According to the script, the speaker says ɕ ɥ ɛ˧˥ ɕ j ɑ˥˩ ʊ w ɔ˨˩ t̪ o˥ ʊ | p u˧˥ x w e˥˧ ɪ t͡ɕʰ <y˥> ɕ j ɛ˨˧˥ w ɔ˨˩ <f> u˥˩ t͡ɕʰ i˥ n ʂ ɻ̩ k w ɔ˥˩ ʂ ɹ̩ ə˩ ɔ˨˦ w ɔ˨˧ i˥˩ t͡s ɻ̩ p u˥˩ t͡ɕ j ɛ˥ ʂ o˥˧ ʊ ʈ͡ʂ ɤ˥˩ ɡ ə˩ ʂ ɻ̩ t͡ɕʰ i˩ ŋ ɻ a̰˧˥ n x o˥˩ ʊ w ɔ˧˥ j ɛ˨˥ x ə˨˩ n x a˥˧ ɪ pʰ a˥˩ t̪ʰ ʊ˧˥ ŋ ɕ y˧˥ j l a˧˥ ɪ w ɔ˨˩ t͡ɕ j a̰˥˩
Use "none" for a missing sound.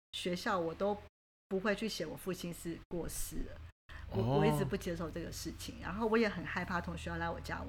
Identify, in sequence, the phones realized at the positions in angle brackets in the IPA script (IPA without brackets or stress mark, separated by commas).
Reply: y˥˩, f